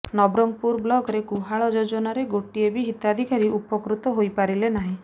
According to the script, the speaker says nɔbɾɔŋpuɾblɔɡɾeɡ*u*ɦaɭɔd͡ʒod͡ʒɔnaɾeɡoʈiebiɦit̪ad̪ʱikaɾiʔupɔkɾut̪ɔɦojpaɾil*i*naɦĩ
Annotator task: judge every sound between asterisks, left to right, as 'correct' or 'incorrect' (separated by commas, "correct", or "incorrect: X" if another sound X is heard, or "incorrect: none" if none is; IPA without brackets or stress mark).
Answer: correct, incorrect: e